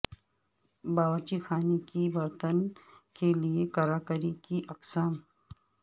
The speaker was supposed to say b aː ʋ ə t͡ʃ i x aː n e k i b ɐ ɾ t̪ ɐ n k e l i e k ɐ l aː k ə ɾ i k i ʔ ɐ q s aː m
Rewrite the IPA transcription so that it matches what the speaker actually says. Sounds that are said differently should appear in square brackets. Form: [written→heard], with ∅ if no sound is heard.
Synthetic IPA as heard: b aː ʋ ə t͡ʃ i x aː n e k i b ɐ ɾ t̪ [ɐ→ə] n k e l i e k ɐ [l→ɾ] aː k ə ɾ i k i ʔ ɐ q s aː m